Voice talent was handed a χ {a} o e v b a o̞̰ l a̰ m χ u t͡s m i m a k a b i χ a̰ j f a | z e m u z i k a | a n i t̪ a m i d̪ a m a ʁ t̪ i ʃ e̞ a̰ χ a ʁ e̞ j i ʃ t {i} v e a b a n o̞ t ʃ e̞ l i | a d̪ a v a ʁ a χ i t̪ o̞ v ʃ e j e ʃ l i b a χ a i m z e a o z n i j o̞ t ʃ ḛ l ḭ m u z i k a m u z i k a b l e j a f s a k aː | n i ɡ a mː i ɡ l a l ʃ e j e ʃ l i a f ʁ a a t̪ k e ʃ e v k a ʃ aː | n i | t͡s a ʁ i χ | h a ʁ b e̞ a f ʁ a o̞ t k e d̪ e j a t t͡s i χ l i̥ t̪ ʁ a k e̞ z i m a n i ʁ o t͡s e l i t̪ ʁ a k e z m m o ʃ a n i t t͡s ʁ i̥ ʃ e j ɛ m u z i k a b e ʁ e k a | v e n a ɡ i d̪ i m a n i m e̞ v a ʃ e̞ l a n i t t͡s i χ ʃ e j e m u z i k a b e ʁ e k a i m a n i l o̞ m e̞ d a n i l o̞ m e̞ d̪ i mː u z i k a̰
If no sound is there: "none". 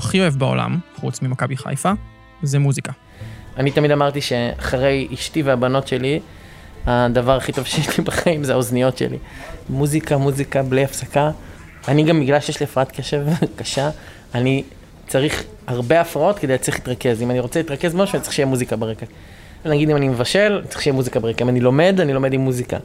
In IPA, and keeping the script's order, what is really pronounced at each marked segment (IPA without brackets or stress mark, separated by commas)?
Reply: i, i